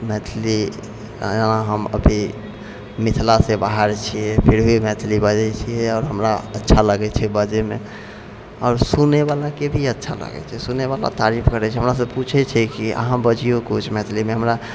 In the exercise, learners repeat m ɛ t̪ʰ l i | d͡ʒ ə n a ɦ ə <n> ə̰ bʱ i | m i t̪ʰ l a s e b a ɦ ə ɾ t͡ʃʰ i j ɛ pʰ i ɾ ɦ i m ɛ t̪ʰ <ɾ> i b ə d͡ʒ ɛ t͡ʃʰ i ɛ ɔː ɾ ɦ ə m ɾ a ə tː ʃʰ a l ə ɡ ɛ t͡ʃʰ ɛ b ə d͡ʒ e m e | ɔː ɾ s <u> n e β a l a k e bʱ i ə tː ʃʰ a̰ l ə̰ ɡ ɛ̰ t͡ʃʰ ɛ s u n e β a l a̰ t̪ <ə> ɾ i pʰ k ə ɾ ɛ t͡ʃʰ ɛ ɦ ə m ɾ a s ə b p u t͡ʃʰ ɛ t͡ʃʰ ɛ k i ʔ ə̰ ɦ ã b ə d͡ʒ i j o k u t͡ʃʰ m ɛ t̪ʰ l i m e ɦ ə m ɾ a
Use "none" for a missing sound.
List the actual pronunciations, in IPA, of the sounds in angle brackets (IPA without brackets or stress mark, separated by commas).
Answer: m, l, u, a